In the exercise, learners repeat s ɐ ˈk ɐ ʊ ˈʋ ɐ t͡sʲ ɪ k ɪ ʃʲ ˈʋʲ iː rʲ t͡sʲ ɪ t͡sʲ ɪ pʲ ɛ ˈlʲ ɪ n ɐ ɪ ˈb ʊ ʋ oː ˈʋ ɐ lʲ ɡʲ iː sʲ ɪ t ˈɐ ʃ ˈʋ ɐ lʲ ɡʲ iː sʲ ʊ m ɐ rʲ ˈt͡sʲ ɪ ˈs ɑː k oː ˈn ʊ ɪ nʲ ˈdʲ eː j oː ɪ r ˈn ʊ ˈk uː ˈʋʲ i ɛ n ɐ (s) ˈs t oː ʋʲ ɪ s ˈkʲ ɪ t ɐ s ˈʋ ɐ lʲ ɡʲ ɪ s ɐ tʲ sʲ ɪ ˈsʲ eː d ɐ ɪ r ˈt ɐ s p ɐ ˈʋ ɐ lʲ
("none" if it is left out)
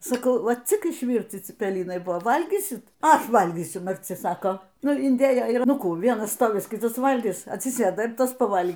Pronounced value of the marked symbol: s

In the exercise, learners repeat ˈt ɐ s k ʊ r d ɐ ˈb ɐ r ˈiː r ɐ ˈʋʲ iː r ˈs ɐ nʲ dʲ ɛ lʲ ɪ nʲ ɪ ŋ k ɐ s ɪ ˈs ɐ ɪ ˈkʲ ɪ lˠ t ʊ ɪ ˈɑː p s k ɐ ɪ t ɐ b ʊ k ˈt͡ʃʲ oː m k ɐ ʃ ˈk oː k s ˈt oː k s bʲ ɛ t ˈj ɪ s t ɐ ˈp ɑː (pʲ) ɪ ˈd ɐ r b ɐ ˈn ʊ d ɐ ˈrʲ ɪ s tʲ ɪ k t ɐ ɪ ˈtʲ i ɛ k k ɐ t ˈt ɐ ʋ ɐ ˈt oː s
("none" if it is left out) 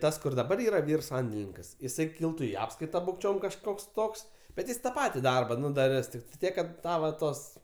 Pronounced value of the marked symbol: tʲ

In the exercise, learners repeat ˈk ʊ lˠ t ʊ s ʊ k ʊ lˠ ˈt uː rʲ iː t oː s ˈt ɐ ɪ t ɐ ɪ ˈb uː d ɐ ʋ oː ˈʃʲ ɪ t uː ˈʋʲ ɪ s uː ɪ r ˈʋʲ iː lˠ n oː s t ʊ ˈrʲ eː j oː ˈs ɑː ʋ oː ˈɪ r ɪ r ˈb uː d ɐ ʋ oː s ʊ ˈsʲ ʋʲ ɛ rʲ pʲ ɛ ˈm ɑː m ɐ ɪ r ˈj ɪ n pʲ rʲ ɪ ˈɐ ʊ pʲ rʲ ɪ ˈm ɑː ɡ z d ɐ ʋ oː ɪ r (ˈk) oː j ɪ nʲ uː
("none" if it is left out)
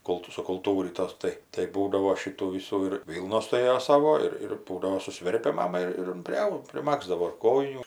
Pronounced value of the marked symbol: k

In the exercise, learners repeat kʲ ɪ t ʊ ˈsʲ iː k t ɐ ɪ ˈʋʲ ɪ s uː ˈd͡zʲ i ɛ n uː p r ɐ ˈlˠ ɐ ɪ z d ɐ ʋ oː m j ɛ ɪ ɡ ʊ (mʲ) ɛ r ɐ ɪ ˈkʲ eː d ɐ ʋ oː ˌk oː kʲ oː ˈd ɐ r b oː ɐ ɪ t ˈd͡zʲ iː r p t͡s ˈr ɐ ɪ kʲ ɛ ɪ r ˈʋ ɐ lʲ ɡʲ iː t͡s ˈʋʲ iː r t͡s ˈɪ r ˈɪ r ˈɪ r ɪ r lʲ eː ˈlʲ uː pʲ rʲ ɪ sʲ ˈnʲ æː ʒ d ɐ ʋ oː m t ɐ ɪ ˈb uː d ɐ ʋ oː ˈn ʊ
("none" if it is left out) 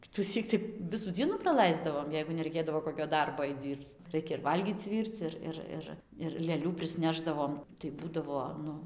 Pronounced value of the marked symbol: nʲ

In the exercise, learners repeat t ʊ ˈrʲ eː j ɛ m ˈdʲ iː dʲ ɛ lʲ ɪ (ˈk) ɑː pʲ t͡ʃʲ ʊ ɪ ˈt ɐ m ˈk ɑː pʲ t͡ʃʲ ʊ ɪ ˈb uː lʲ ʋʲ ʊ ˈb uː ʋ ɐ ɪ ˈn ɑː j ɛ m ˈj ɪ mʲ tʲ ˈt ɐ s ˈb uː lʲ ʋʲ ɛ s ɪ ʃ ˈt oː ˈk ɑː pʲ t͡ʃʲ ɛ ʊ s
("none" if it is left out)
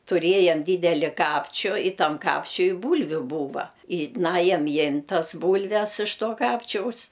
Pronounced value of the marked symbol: k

